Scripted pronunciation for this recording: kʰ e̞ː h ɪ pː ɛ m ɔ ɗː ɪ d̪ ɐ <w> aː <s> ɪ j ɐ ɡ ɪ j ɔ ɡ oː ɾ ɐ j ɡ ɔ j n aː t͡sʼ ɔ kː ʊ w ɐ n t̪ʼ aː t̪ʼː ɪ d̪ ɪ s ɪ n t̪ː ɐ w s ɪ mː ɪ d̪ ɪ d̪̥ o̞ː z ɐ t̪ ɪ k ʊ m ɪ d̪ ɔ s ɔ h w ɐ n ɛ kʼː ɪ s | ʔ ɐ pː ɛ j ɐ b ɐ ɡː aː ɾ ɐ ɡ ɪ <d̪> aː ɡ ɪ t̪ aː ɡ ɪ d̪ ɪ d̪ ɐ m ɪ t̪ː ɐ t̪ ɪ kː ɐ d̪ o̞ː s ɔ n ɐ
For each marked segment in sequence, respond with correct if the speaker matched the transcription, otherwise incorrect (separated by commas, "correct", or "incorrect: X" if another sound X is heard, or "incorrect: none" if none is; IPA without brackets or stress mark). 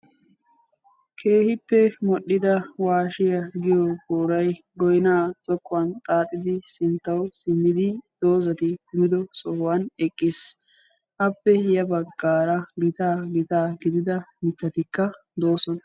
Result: correct, incorrect: ʃ, incorrect: t̪